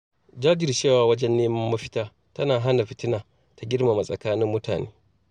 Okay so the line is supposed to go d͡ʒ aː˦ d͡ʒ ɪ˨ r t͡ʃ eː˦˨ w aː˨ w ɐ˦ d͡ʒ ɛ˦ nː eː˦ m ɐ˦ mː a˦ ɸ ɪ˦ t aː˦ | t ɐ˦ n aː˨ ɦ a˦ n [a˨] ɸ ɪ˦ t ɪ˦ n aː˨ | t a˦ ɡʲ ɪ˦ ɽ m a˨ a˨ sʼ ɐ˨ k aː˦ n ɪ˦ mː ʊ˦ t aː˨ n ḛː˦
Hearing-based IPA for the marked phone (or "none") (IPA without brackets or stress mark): a˨